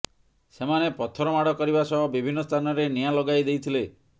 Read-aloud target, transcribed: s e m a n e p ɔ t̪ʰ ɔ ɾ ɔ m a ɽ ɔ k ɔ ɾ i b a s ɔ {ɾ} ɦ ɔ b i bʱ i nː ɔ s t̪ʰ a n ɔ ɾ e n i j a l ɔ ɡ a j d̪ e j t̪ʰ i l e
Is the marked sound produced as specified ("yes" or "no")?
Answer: no